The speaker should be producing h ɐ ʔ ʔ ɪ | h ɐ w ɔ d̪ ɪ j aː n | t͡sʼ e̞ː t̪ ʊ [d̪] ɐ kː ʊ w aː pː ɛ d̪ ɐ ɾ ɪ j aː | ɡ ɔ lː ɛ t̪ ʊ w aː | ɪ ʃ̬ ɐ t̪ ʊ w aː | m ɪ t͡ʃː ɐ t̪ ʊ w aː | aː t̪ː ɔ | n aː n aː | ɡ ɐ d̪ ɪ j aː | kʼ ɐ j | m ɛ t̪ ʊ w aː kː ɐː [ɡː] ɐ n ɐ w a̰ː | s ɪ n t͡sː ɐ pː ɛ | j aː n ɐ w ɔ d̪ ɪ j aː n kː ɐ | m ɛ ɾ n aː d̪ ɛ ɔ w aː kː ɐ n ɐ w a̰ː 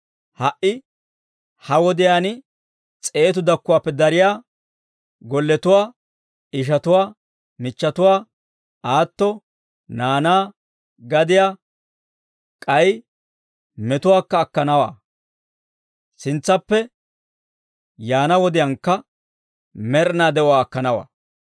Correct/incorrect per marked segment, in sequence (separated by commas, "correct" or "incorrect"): correct, incorrect